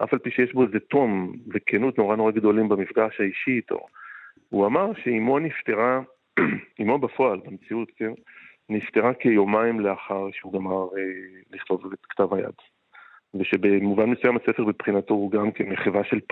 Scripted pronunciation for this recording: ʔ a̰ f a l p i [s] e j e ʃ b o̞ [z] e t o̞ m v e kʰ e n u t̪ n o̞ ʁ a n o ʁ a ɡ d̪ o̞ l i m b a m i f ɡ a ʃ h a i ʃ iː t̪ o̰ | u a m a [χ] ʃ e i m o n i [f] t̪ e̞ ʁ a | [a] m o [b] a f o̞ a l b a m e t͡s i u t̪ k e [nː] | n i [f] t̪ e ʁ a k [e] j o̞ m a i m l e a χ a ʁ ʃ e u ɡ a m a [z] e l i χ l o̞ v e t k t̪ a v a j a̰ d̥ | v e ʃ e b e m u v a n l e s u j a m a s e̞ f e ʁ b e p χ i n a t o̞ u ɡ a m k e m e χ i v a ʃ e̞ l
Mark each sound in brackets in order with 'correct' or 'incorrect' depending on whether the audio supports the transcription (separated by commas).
incorrect, correct, incorrect, correct, incorrect, correct, incorrect, correct, correct, incorrect